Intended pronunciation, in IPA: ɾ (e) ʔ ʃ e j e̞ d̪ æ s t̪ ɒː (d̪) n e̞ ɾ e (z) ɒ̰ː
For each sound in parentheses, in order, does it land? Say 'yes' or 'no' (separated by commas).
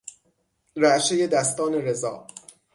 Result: no, no, yes